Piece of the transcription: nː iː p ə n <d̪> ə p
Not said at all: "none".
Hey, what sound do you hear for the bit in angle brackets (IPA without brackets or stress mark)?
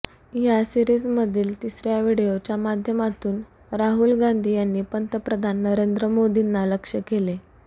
t̪